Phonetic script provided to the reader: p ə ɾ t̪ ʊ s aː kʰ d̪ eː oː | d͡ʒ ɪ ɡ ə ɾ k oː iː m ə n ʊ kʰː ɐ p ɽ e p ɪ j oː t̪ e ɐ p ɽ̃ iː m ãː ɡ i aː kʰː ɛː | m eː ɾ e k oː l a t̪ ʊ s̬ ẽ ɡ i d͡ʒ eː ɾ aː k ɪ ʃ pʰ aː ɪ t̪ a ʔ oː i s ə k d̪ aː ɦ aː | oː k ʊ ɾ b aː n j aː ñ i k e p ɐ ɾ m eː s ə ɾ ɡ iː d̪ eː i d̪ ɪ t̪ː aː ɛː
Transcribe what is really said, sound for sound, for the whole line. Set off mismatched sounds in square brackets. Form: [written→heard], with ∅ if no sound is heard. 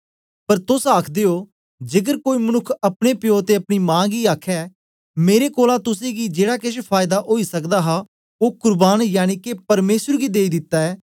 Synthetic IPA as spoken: p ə ɾ t̪ ʊ s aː kʰ d̪ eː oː | d͡ʒ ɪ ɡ ə ɾ k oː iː m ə n ʊ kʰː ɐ p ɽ e p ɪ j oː t̪ e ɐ p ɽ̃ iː m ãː ɡ i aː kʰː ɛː | m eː ɾ e k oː l a t̪ ʊ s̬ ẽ ɡ i d͡ʒ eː [ɾ→ɽ] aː k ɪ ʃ pʰ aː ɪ [t̪→d̪] a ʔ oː i s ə k d̪ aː ɦ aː | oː k ʊ ɾ b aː n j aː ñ i k e p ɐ ɾ m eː s ə ɾ ɡ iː d̪ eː i d̪ ɪ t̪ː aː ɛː